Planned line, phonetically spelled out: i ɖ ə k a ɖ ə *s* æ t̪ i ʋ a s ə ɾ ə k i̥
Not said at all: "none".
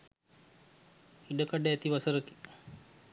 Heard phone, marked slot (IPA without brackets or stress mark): none